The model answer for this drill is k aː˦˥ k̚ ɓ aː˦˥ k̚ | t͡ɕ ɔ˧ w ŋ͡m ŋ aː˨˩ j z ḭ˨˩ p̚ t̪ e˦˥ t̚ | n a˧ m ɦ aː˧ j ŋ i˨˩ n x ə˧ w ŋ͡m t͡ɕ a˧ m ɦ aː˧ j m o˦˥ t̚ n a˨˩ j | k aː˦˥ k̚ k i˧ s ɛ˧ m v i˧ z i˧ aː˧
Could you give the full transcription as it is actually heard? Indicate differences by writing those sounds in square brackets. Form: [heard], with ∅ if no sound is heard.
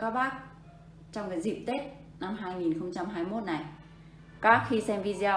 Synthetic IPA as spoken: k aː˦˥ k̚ ɓ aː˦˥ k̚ | t͡ɕ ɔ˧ w ŋ͡m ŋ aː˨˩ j z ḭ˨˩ p̚ t̪ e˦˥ t̚ | n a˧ m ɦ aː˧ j ŋ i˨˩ n x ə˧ w ŋ͡m t͡ɕ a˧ m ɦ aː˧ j m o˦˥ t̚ n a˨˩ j | k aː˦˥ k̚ [x] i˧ s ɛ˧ m v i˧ z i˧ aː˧

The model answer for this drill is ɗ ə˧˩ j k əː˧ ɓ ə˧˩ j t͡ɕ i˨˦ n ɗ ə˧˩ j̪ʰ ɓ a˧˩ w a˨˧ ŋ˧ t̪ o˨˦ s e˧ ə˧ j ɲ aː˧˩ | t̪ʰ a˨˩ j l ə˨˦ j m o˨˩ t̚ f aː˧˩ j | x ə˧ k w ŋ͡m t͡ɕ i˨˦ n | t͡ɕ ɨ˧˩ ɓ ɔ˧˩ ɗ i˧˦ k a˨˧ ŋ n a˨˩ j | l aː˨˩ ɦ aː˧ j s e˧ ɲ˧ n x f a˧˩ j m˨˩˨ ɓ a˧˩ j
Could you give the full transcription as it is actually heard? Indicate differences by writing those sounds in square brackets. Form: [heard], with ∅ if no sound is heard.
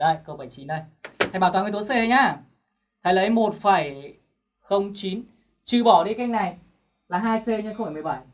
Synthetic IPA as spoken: ɗ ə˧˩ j k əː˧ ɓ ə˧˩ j t͡ɕ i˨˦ n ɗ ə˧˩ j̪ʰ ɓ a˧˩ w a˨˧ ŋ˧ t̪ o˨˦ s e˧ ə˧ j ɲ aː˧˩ | t̪ʰ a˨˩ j l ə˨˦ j m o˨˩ t̚ f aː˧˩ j | x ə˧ [∅] w ŋ͡m t͡ɕ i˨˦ n | t͡ɕ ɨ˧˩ ɓ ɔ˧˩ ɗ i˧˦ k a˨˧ ŋ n a˨˩ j | l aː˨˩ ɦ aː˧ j s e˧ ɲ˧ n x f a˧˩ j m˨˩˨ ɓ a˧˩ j

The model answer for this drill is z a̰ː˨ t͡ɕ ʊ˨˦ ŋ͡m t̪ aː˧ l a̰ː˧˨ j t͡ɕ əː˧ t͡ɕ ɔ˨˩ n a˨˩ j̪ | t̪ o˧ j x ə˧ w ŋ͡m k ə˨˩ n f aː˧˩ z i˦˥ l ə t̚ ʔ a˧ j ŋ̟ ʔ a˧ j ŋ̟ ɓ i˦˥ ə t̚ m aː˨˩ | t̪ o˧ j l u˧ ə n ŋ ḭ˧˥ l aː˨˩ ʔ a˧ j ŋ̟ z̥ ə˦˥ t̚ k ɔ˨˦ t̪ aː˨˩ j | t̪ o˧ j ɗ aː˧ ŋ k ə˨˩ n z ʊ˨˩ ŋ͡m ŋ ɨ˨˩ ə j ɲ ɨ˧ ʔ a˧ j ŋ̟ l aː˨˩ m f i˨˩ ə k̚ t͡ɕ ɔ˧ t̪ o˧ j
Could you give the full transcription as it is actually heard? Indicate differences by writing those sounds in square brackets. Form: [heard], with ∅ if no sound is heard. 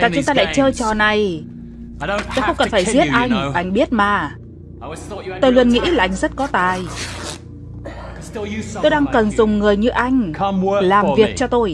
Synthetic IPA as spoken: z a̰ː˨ t͡ɕ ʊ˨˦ ŋ͡m t̪ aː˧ l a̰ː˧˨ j t͡ɕ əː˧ t͡ɕ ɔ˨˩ n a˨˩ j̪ | t̪ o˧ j x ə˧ w ŋ͡m k ə˨˩ n f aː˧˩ z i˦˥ [∅] ə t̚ ʔ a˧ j ŋ̟ ʔ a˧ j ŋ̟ ɓ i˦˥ ə t̚ m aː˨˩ | t̪ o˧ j l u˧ ə n ŋ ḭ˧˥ l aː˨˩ ʔ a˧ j ŋ̟ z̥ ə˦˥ t̚ k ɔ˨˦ t̪ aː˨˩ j | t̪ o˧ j ɗ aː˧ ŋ k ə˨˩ n z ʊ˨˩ ŋ͡m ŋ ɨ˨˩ ə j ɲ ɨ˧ ʔ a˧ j ŋ̟ l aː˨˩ m [v] i˨˩ ə k̚ t͡ɕ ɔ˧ t̪ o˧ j

